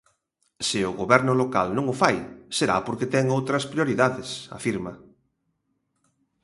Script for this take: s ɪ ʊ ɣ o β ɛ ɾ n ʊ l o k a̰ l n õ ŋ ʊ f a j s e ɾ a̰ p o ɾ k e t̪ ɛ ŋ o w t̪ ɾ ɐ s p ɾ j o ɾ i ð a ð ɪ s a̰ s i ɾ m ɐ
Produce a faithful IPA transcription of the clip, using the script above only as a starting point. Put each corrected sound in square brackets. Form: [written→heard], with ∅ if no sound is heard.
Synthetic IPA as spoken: s ɪ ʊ ɣ o β ɛ ɾ n ʊ l o k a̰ l n õ ŋ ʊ f a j s e ɾ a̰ p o ɾ k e t̪ ɛ ŋ o w t̪ ɾ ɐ s p ɾ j o ɾ i ð a ð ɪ s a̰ [s→f] i ɾ m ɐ

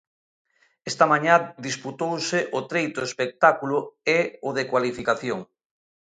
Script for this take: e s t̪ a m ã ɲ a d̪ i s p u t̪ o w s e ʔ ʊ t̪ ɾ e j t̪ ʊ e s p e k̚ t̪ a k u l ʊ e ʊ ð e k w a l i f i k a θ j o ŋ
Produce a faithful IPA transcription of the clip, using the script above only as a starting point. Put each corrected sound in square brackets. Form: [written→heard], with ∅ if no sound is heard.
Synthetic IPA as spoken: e s t̪ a m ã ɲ a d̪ i s p u t̪ o w s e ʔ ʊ t̪ ɾ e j t̪ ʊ e s p e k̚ t̪ a k u l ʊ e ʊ ð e k w a l i f i k a θ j o ŋ

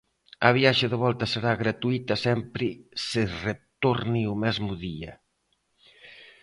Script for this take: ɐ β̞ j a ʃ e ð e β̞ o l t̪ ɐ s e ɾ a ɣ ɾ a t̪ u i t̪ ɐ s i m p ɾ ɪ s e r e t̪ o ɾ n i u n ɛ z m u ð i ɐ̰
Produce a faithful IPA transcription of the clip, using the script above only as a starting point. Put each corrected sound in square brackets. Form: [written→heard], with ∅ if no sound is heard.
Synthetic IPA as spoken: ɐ β̞ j a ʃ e ð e β̞ [o→ɔ] l t̪ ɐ s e ɾ a ɣ ɾ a t̪ u i t̪ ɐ s [i→ɛ] m p ɾ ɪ s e r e t̪ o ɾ n i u [n→m] ɛ z m u ð i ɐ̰

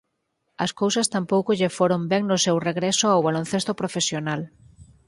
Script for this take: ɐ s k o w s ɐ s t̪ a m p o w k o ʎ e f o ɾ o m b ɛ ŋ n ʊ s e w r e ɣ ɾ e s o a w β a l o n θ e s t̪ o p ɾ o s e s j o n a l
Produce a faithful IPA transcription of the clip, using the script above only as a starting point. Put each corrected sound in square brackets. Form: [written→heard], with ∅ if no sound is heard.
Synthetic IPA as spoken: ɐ s k o w s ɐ s t̪ a m p o w k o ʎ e f o ɾ o m b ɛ ŋ n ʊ s e w r e ɣ ɾ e s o a w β a l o n θ e s t̪ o p ɾ o [s→f] e s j o n a l

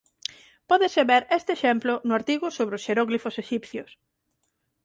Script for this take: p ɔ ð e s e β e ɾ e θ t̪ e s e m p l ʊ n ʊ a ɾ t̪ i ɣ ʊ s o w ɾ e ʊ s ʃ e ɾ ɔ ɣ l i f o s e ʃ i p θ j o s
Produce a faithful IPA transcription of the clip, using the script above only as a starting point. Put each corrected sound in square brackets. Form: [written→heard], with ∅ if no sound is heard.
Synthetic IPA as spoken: p ɔ ð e s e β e ɾ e [θ→s] t̪ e [s→ʃ] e m p l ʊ n ʊ a ɾ t̪ i ɣ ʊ s o [w→β] ɾ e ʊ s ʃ e ɾ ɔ ɣ l i f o s e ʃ i p θ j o s

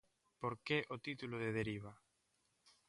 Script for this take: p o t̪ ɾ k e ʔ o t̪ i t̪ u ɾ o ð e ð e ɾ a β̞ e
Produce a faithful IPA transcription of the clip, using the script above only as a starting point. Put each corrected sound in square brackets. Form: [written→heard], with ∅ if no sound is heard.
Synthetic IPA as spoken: p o [t̪→∅] ɾ k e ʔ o t̪ i t̪ u [ɾ→l] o ð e ð e ɾ [a→i] β̞ [e→a]

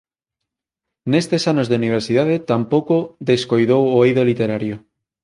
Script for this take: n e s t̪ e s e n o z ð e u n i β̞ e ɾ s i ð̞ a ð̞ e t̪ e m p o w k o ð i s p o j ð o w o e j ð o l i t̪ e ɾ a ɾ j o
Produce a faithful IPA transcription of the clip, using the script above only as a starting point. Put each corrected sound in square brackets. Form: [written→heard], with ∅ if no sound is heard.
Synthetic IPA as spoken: n e s t̪ e s [e→a] n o z ð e u n i β̞ e ɾ s i ð̞ a ð̞ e t̪ [e→a] m p o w k o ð [i→e] s [p→k] o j ð o w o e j ð o l i t̪ e ɾ a ɾ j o

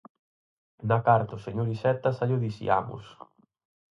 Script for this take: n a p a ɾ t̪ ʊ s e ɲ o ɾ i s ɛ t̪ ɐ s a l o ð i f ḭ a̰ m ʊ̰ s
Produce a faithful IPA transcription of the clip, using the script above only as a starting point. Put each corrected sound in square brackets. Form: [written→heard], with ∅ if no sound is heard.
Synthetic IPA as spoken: n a [p→k] a ɾ t̪ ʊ s e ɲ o ɾ i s ɛ t̪ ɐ s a [l→ʎ] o ð i [f→s] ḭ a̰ m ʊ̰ s

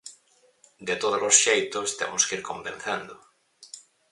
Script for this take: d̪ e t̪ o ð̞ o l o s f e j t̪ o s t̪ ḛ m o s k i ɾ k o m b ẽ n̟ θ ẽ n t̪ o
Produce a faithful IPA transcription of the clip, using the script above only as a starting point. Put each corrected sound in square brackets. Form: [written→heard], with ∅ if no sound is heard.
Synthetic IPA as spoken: d̪ e t̪ o ð̞ o l o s [f→ʃ] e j t̪ o s t̪ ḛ m o s k i ɾ k o m b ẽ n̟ θ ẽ n [t̪→d̪] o

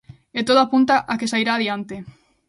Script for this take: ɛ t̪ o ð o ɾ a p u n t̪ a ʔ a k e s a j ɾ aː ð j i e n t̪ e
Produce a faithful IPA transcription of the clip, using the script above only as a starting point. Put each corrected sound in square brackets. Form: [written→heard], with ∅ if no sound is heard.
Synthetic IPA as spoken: [ɛ→e] t̪ o ð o [ɾ→∅] a p u n t̪ a ʔ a k e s a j ɾ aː ð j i [e→a] n t̪ e

